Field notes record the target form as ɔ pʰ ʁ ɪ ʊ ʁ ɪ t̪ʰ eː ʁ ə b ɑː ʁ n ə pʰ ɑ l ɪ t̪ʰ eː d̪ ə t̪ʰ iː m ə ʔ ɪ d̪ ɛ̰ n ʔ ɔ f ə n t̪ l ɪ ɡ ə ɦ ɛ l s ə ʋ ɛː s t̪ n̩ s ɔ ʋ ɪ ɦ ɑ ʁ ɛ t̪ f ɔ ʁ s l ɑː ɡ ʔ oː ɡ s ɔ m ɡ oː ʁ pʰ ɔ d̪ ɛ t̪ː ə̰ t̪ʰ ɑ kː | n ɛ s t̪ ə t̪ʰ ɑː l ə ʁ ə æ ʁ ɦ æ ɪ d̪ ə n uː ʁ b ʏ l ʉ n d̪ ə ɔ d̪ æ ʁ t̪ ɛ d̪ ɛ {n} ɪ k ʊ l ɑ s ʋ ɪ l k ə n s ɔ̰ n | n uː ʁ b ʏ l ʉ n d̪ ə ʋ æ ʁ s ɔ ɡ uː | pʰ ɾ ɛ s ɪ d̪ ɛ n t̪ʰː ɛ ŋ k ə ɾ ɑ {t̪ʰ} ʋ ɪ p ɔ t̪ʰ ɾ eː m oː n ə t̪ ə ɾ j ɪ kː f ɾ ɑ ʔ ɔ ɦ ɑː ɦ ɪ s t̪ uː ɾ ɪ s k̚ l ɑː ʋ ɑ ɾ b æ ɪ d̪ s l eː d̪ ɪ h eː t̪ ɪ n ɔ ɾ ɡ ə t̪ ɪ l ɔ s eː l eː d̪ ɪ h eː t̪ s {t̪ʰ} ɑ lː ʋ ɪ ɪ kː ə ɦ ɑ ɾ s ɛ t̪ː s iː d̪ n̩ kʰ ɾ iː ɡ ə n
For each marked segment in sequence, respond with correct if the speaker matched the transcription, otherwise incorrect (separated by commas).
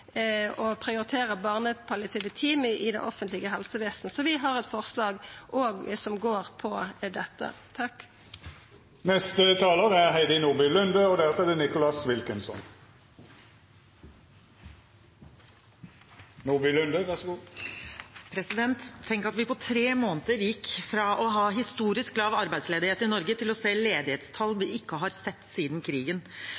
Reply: correct, incorrect, correct